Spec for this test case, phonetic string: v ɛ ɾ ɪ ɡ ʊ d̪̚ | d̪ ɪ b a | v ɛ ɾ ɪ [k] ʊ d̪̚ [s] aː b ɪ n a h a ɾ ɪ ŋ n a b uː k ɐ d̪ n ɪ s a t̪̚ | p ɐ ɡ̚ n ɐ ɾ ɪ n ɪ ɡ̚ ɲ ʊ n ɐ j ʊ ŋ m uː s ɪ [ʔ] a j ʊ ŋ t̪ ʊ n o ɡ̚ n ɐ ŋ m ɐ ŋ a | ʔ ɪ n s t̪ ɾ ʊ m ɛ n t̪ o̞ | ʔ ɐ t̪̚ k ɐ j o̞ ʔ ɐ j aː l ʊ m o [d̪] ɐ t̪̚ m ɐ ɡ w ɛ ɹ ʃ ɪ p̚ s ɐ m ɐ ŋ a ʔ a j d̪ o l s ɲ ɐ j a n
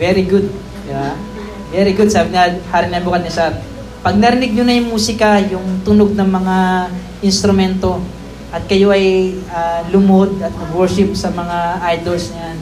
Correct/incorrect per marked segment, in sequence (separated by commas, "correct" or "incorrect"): incorrect, correct, incorrect, correct